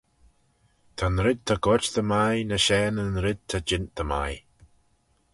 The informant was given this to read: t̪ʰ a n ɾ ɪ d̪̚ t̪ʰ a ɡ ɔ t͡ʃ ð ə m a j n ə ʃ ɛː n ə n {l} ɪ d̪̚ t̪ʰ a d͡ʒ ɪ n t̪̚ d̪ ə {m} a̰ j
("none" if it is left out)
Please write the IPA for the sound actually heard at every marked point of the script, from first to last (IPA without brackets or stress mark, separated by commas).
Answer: ɾ, m